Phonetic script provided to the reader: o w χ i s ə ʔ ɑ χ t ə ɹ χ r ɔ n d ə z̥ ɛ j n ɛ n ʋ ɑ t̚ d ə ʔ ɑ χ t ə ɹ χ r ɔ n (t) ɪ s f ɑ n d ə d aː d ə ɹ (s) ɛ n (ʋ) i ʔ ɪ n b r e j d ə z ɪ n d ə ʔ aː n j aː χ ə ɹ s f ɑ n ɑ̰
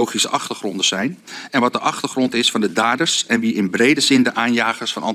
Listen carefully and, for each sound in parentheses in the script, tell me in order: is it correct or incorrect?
correct, correct, correct

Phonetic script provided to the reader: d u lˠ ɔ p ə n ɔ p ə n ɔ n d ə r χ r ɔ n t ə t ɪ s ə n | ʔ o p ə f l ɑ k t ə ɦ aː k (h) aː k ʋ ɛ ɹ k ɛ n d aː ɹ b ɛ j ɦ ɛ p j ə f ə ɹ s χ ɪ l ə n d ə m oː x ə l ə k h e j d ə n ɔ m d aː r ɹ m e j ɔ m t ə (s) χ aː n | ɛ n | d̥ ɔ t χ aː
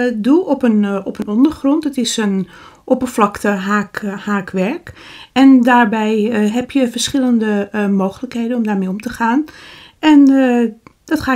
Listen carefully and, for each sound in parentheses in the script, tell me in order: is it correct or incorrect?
correct, incorrect: none

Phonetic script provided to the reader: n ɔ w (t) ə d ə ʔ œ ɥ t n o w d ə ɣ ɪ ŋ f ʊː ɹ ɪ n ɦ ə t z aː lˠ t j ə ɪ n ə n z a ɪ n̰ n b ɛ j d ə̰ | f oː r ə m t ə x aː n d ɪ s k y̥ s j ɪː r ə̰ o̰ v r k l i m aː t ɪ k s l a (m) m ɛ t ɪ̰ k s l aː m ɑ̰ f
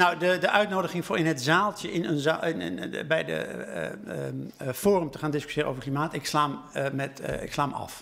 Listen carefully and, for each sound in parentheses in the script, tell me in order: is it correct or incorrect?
incorrect: d, correct

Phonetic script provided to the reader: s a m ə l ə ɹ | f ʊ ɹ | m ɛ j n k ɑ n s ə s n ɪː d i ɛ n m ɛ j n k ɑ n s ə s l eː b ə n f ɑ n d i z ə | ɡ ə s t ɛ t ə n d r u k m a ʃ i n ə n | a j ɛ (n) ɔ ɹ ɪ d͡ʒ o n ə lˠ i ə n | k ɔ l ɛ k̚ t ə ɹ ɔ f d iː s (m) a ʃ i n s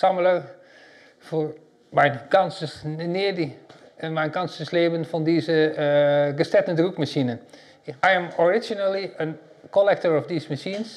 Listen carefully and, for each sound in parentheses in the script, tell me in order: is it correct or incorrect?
incorrect: m, correct

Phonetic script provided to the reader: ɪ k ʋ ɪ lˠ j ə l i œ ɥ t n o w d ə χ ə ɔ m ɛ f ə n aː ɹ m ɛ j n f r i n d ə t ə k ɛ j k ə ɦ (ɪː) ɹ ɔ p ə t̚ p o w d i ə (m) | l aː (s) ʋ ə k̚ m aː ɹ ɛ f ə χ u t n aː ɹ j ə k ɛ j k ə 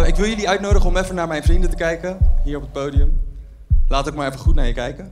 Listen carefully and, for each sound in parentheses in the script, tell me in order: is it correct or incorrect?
incorrect: iː, correct, incorrect: t

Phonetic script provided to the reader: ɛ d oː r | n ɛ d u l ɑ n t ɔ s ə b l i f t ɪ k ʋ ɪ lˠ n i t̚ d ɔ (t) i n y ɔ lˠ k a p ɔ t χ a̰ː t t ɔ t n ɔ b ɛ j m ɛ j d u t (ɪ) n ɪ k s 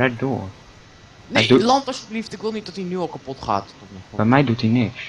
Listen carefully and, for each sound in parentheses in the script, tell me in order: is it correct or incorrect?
correct, incorrect: i

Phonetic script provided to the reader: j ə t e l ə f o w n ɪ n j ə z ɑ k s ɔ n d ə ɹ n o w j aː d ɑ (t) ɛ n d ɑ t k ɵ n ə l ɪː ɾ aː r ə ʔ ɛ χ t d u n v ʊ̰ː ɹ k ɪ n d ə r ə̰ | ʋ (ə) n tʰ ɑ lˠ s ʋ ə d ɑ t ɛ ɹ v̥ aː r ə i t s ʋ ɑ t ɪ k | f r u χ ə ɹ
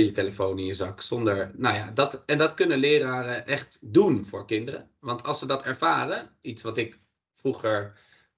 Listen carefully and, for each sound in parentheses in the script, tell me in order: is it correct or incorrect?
correct, incorrect: ɑ

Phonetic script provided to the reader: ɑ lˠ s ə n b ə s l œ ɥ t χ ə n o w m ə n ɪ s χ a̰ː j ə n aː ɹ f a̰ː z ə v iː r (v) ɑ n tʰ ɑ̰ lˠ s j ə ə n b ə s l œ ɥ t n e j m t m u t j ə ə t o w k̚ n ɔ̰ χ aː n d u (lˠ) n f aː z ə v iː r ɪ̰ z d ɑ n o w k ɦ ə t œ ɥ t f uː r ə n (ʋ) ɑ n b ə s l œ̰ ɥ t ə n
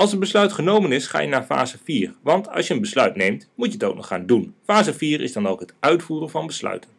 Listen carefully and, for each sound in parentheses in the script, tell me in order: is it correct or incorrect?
incorrect: ʋ, incorrect: none, incorrect: v

